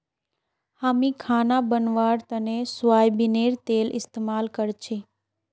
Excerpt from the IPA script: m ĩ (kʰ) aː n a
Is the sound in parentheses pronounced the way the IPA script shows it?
yes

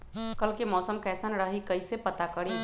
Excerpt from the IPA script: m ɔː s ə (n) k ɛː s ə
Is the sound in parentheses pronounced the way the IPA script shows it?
no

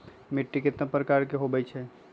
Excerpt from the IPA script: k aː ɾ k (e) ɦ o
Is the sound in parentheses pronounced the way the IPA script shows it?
yes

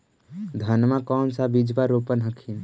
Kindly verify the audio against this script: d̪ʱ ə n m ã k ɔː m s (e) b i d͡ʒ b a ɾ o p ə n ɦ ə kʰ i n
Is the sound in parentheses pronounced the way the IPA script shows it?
no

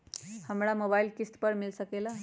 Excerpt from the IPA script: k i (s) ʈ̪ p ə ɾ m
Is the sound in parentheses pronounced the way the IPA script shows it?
yes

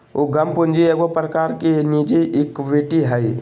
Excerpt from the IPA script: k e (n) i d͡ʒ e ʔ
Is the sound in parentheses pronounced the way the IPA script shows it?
yes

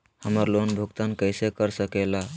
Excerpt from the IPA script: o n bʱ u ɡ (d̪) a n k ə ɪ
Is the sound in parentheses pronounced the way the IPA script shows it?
no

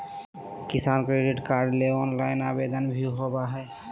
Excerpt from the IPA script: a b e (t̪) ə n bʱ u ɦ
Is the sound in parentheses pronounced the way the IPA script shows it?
no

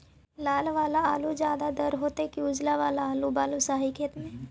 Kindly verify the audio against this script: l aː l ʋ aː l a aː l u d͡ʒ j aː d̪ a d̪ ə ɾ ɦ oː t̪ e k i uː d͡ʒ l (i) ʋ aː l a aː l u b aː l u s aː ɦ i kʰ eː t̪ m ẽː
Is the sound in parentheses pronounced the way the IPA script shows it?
no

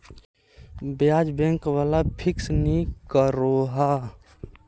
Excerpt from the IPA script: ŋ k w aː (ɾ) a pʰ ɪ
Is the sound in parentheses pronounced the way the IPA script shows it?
no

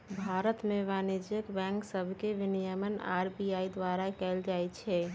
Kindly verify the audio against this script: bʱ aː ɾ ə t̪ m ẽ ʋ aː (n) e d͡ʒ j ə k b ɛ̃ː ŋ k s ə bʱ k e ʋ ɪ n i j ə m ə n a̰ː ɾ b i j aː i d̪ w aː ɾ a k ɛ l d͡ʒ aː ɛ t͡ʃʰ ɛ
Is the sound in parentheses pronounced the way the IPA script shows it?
yes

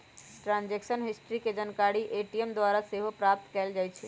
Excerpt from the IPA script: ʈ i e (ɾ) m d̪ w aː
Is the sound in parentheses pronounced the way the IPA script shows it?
no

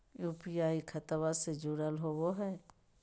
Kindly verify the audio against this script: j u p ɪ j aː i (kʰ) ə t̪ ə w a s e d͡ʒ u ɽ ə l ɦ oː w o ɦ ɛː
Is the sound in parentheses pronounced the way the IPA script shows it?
yes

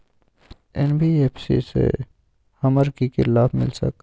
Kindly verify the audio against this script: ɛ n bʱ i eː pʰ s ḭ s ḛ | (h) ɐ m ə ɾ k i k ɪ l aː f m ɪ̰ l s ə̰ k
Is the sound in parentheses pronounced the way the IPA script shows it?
yes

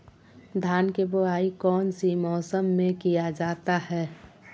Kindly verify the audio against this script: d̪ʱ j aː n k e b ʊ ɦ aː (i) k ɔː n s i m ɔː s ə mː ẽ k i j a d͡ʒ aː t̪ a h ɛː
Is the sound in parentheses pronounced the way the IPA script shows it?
yes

